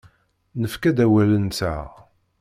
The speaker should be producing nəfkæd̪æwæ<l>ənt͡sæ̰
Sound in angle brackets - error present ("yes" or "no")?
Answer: no